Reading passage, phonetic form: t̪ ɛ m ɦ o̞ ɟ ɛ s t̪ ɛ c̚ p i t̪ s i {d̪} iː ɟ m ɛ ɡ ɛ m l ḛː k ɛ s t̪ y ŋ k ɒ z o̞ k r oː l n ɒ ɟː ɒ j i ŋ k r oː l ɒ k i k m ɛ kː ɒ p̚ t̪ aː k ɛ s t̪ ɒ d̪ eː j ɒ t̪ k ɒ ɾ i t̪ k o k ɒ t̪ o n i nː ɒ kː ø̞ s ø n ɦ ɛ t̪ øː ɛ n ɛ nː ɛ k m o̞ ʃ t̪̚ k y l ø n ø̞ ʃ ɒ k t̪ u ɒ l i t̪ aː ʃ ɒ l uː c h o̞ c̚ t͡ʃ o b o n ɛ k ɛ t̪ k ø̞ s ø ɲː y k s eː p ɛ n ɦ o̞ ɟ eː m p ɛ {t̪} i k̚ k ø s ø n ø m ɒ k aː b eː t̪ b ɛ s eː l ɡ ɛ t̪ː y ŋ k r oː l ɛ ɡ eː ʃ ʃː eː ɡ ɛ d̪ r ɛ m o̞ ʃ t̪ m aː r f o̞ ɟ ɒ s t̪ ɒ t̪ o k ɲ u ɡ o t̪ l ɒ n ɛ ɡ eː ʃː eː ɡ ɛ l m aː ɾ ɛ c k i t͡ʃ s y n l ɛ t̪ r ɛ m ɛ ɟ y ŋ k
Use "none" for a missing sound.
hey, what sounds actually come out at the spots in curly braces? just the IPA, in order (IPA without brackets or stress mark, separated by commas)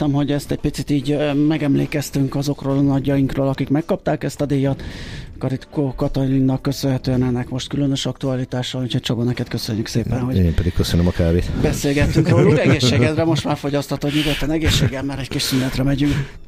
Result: t̪, d̪